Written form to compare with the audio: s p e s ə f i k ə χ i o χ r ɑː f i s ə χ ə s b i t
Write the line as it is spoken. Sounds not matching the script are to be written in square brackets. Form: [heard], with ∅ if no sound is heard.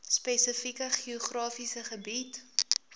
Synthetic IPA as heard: s p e s ə f i k ə χ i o χ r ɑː f i s ə χ ə [∅] b i t